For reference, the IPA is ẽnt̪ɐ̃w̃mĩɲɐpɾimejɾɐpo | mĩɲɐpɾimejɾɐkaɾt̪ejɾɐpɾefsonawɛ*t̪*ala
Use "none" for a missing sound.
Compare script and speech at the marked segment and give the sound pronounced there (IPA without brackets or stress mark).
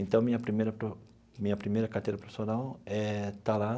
t̪